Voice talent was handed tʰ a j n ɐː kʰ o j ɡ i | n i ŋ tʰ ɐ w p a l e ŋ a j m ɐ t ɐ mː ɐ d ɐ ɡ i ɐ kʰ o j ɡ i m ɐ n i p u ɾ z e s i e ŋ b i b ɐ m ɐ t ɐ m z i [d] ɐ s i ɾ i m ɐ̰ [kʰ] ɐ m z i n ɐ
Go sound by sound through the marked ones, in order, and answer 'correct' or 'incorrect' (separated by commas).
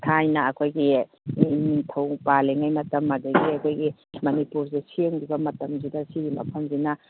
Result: correct, incorrect